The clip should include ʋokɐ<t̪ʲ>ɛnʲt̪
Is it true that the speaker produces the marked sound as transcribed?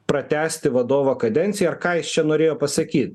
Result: no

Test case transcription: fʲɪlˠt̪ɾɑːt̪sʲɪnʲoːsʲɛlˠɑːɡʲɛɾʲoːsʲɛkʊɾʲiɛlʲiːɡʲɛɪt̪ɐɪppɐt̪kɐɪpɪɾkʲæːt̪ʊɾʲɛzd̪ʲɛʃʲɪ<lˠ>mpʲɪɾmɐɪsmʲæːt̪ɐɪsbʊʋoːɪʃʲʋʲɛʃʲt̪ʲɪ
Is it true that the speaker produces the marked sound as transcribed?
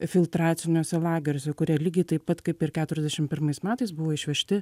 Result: no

